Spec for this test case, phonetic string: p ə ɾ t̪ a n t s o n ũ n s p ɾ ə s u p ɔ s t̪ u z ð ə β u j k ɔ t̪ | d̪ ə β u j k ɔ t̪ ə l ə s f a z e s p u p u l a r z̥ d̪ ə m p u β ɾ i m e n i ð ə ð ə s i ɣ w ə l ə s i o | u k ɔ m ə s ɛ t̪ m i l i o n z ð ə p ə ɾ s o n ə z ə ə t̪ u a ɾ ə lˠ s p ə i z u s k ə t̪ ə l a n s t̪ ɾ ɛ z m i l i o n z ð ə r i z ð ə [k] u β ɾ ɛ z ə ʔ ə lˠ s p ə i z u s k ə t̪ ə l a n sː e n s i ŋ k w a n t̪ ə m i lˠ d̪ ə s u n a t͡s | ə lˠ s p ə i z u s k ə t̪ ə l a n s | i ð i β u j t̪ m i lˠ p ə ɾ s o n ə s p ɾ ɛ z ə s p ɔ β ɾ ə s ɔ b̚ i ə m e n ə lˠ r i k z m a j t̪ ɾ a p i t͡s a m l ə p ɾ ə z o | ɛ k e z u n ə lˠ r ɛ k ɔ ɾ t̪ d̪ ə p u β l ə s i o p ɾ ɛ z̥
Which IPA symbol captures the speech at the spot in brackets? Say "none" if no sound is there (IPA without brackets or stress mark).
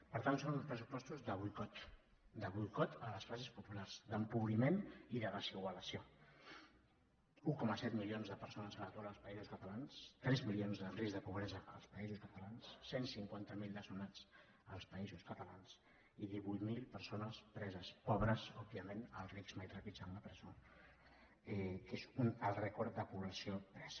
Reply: p